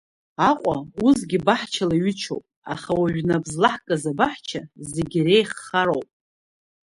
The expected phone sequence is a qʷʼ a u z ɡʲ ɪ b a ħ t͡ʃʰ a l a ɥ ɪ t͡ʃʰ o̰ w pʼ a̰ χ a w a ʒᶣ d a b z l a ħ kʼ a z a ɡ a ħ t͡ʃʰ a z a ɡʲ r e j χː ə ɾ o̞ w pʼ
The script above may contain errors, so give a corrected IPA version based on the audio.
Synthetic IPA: a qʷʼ a u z ɡʲ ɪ b a ħ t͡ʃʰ a l a ɥ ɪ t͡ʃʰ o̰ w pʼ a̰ χ a w a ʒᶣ n a b z l a ħ kʼ a z a b a ħ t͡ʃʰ a z e ɡʲ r e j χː a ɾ o̞ w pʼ